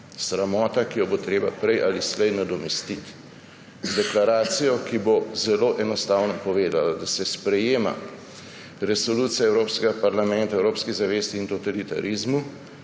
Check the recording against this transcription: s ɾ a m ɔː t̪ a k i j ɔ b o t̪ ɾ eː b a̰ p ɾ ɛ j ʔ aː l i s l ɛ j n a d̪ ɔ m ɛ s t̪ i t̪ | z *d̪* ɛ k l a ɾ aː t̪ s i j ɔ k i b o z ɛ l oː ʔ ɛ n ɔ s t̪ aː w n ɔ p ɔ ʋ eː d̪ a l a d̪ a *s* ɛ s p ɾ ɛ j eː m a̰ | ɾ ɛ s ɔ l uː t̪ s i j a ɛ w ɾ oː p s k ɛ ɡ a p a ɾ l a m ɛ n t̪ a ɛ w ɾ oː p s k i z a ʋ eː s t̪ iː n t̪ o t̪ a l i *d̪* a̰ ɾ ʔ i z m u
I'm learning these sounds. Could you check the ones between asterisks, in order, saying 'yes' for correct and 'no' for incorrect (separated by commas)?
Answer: yes, yes, no